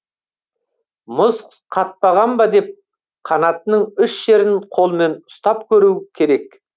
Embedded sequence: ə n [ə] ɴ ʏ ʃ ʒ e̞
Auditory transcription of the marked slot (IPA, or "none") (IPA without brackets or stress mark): ə